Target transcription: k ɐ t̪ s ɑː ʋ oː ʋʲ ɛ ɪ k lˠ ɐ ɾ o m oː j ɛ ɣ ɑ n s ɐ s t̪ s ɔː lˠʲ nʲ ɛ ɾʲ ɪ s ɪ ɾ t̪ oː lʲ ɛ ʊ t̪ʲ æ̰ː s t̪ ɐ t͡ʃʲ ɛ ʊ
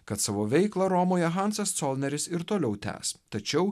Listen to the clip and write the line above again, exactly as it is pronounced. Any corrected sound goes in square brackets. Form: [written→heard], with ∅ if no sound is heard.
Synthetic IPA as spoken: k ɐ t̪ s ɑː ʋ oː ʋʲ ɛ ɪ k lˠ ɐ ɾ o m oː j ɛ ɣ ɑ n s ɐ s t̪ s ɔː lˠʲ nʲ ɛ ɾʲ ɪ s ɪ ɾ t̪ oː lʲ ɛ ʊ t̪ʲ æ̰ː s t̪ ɐ t͡ʃʲ ɛ ʊ